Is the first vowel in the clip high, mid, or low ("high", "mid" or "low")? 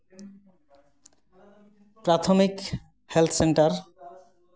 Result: low